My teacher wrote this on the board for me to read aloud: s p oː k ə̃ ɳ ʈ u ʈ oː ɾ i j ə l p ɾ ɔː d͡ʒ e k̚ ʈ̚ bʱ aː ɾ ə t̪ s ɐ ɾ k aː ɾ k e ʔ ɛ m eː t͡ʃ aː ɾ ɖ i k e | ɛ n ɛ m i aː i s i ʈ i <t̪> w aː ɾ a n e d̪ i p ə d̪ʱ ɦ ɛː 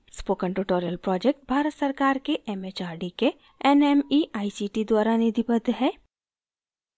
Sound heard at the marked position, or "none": d̪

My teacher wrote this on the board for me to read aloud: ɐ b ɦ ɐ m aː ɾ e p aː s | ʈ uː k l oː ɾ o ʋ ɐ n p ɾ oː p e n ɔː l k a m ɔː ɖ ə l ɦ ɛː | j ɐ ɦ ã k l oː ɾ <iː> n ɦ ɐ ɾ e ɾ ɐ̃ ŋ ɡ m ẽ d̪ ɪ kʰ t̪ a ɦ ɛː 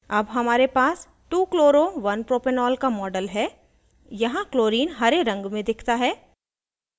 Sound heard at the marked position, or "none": iː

